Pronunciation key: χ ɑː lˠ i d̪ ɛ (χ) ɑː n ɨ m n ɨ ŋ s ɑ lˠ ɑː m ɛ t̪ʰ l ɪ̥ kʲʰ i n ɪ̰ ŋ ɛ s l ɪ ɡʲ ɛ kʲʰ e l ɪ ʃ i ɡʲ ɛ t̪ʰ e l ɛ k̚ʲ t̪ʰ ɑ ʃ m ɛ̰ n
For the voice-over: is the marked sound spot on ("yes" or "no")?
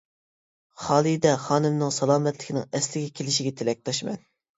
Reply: yes